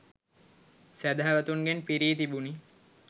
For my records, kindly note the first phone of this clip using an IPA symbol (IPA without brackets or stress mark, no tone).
s